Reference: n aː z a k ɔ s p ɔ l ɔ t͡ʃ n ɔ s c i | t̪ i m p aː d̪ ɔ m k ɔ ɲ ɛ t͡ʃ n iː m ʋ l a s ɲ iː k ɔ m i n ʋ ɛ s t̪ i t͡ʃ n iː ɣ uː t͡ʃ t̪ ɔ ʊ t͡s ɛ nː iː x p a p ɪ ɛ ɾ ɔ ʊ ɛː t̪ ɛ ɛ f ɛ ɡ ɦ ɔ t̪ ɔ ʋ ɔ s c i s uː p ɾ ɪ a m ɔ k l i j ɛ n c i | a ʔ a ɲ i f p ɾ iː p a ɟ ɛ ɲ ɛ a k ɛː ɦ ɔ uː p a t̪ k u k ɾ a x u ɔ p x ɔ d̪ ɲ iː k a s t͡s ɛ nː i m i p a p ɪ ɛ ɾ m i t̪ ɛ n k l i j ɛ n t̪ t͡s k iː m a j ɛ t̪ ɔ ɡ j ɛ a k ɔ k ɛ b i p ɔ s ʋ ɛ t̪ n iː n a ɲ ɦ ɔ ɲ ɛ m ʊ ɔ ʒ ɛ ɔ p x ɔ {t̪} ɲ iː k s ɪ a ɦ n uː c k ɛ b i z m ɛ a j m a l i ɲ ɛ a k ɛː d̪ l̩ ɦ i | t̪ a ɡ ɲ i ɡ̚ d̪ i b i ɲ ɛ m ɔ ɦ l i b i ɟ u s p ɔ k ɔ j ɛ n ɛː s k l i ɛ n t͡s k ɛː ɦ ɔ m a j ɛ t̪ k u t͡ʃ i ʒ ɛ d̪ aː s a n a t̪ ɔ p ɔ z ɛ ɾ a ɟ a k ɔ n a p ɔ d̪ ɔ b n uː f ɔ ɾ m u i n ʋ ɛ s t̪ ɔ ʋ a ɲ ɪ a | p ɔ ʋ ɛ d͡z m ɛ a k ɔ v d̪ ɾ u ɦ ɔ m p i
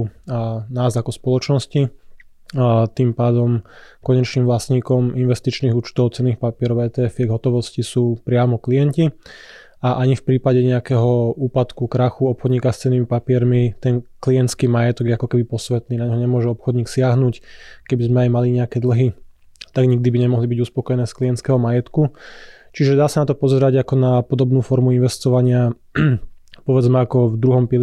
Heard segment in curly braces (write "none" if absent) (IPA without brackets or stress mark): d̪